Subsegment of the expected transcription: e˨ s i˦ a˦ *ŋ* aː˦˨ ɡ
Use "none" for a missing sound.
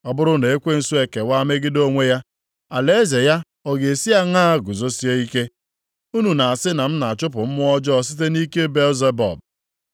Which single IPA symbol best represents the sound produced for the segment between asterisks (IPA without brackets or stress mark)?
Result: ŋ